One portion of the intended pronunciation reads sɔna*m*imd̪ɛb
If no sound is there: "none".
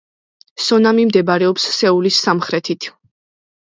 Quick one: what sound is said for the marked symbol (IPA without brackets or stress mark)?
m